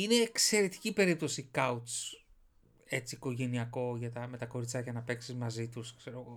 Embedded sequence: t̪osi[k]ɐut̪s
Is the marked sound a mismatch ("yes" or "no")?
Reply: no